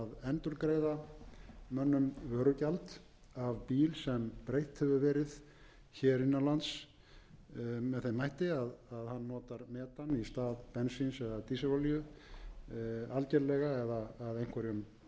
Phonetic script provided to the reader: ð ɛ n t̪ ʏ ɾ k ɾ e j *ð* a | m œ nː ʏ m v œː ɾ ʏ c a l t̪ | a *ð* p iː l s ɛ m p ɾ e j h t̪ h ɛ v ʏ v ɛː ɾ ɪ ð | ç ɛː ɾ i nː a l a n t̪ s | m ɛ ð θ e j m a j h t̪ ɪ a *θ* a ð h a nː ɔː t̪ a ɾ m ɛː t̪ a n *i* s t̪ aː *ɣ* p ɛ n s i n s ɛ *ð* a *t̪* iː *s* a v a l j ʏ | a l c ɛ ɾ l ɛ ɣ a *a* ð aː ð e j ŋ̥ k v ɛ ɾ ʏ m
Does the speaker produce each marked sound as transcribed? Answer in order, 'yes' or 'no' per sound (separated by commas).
yes, no, no, yes, no, yes, yes, yes, no